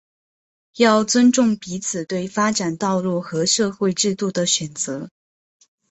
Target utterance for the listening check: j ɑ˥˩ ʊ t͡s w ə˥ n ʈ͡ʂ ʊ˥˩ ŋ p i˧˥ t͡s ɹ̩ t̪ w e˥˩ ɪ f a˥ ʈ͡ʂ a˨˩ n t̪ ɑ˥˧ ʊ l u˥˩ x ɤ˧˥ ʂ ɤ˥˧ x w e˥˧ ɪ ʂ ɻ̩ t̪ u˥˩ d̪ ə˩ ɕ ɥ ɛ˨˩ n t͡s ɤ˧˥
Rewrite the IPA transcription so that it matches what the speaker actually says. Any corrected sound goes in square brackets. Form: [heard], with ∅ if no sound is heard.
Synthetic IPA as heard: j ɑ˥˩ ʊ t͡s w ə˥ n ʈ͡ʂ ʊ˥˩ ŋ p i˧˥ [t͡sʰ] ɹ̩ t̪ w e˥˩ ɪ f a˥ ʈ͡ʂ a˨˩ n t̪ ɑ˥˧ ʊ l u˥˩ x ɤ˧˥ ʂ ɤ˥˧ x w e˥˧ ɪ [ʈ͡ʂ] ɻ̩ t̪ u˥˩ d̪ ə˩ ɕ ɥ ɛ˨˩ n t͡s ɤ˧˥